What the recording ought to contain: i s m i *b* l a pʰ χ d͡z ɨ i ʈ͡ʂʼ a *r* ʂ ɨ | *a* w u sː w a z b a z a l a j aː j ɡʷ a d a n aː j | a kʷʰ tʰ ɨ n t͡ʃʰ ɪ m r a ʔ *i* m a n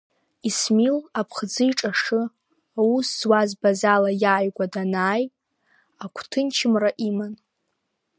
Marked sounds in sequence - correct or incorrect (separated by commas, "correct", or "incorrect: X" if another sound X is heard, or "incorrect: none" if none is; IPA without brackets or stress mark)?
incorrect: none, incorrect: none, correct, correct